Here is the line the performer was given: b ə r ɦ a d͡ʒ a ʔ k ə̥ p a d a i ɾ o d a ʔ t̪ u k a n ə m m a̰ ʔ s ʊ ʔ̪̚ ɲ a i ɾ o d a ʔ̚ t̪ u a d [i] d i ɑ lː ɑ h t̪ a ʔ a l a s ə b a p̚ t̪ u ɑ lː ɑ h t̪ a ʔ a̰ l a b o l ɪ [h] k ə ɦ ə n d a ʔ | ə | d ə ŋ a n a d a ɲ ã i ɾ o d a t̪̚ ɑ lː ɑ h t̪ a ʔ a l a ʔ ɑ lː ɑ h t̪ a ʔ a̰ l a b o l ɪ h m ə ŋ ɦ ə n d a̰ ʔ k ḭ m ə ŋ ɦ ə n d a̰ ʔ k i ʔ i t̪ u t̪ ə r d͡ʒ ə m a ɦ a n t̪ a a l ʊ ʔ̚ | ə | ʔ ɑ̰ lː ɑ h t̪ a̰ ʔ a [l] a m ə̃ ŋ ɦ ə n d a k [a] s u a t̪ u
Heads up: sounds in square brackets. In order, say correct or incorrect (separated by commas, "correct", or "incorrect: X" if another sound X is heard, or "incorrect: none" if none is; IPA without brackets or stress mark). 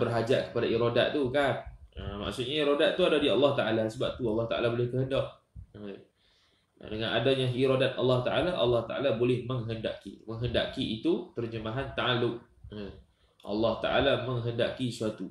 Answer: incorrect: a, correct, correct, incorrect: i